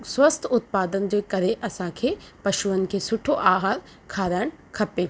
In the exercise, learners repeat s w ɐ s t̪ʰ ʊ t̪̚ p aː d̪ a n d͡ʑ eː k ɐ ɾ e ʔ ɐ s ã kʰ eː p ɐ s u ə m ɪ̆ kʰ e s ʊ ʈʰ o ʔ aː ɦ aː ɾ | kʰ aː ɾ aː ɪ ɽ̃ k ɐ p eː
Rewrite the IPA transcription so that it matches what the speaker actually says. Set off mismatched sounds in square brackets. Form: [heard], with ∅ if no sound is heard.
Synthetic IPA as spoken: s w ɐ s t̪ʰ ʊ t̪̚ p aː d̪ [ə] n d͡ʑ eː k ɐ ɾ e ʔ ɐ s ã kʰ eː p ɐ [ʃ] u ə [n] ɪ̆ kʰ e s ʊ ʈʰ o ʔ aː ɦ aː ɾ | kʰ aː ɾ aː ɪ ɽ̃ [kʰ] ɐ p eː